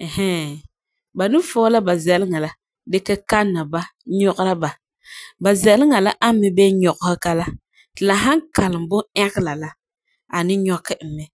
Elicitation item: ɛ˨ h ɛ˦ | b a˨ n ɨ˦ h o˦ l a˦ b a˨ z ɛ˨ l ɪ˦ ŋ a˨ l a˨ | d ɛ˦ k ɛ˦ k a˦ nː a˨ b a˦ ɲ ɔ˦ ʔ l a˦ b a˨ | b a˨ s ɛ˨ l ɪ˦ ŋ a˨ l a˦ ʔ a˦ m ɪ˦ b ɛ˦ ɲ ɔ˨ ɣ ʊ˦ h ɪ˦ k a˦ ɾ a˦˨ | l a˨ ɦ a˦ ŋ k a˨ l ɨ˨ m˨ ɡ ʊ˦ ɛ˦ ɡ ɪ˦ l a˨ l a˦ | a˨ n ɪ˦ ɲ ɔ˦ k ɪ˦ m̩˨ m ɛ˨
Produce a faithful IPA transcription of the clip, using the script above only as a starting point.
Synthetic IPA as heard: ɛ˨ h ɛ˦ | b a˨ n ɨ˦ f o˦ l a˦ b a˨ z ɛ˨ l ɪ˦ ŋ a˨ l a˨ | d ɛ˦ k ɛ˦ k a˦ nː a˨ b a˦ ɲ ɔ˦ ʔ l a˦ b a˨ | b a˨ z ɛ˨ l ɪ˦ ŋ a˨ l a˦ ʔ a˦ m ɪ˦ b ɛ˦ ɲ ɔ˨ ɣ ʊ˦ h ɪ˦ k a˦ l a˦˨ | l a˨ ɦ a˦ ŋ k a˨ l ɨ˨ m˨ b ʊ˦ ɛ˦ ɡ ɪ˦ l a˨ l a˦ | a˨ n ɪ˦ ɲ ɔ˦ k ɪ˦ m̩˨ m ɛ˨